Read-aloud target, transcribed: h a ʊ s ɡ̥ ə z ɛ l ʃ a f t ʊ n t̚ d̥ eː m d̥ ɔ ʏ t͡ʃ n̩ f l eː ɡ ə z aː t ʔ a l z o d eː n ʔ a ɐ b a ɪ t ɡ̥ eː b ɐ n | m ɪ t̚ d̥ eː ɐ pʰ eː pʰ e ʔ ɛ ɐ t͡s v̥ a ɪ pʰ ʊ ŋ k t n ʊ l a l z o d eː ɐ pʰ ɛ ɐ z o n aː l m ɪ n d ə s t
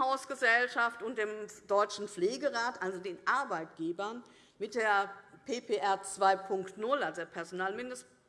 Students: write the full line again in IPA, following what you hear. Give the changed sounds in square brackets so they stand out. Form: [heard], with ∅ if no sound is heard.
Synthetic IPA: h a ʊ s ɡ̥ ə z ɛ l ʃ a f t ʊ n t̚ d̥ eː m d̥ ɔ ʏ t͡ʃ n̩ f l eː ɡ ə [ʁ] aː t ʔ a l z o d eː n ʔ a ɐ b a ɪ t ɡ̥ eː b ɐ n | m ɪ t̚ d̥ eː ɐ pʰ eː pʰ e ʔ ɛ ɐ t͡s v̥ a ɪ pʰ ʊ ŋ k t n ʊ l a l z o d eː ɐ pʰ ɛ ɐ z o n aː l m ɪ n d ə s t